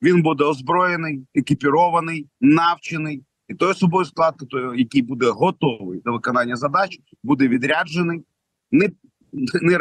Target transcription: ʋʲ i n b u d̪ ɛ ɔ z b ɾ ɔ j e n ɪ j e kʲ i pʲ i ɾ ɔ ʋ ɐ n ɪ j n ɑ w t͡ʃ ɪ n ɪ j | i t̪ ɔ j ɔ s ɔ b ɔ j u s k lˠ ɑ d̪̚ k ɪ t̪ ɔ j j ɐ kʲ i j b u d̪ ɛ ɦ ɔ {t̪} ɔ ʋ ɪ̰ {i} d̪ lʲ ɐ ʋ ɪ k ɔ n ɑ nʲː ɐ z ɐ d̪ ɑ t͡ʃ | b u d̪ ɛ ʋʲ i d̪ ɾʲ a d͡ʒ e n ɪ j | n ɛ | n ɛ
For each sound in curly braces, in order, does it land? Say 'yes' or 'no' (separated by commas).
yes, no